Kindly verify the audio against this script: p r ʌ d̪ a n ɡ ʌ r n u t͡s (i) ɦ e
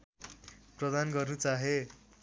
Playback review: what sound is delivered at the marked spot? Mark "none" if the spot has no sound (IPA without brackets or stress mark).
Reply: a